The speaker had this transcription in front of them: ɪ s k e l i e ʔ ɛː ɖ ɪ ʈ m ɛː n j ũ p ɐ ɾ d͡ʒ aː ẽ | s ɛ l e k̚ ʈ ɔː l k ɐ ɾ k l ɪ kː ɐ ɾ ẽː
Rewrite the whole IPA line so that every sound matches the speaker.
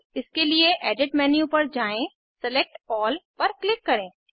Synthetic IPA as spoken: ɪ s k e l i e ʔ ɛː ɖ ɪ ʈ m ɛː n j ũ p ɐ ɾ d͡ʒ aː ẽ | s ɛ l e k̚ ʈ ɔː l p ɐ ɾ k l ɪ kː ɐ ɾ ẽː